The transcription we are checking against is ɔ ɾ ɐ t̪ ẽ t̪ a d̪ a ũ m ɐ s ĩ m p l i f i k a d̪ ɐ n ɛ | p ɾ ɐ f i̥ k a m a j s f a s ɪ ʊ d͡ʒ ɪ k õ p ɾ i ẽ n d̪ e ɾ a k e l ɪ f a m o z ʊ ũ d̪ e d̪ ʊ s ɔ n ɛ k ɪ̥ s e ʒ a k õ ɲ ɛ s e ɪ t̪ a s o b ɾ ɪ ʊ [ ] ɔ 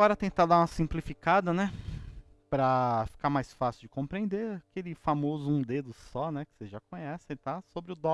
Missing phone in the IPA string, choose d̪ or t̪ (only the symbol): d̪